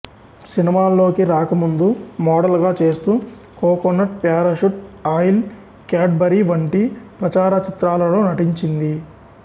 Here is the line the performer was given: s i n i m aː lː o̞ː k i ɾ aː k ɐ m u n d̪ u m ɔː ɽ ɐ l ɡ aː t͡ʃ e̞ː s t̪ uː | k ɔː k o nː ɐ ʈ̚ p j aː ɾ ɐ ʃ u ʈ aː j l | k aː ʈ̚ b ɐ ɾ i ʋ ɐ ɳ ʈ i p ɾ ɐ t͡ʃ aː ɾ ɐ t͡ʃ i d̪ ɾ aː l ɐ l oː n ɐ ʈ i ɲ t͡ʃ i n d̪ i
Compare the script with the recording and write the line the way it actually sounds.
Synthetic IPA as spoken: s i n i m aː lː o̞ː k i ɾ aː k ɐ m u n d̪ u m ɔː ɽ ɐ l ɡ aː t͡ʃ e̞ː s t̪ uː | k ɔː k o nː ɐ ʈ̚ p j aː ɾ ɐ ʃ u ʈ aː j l | k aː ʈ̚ b ɐ ɾ i ʋ ɐ ɳ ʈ i p ɾ ɐ t͡ʃ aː ɾ ɐ t͡ʃ i t̪ ɾ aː l ɐ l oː n ɐ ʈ i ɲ t͡ʃ i n d̪ i